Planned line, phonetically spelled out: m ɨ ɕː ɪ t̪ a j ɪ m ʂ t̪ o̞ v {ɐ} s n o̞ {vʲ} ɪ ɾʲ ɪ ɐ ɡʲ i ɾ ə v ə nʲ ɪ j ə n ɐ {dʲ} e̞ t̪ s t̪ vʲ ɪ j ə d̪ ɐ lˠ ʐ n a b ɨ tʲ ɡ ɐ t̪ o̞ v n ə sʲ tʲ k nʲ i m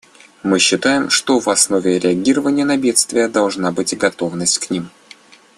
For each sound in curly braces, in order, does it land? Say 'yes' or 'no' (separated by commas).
yes, yes, no